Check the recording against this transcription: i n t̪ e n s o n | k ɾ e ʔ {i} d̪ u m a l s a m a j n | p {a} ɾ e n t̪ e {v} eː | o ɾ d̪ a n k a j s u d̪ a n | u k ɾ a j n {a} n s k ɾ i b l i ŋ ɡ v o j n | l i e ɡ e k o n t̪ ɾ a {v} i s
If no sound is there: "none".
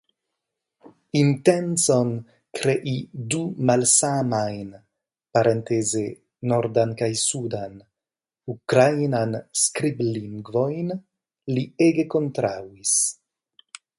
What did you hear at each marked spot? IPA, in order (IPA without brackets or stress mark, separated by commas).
i, a, z, a, w